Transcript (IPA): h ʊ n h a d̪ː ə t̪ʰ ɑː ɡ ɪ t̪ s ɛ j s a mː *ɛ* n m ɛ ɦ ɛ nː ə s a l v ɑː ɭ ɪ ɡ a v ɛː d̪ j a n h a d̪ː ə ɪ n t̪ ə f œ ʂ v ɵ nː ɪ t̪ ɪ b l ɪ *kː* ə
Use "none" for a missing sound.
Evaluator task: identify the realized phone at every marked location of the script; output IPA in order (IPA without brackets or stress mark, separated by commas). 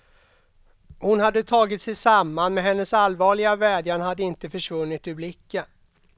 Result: a, kː